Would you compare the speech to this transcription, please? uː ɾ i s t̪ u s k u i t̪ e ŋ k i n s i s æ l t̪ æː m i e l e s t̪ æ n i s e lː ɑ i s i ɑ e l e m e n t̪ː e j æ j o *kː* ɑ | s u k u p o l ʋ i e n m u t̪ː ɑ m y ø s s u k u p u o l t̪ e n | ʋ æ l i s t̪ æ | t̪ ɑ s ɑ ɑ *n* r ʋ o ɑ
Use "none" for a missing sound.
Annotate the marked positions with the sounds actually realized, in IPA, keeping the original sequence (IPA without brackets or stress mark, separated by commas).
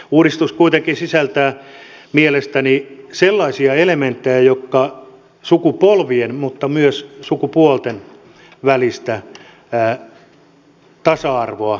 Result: kː, none